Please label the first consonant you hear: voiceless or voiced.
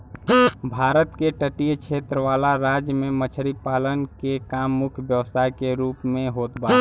voiced